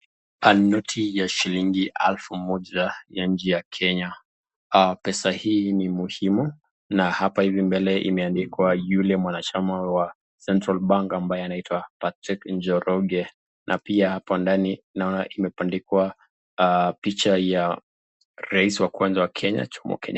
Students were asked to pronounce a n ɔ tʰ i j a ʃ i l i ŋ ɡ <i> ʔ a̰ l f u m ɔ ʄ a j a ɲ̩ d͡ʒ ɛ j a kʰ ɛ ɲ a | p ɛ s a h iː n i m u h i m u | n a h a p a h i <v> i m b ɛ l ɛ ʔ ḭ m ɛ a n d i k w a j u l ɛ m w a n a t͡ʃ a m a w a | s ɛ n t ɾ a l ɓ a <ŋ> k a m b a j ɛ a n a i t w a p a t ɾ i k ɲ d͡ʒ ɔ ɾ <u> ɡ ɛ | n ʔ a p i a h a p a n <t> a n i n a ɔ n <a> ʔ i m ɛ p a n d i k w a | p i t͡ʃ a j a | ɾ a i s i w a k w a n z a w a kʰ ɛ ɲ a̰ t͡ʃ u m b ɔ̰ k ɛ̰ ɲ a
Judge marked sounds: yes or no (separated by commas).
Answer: yes, yes, yes, no, no, yes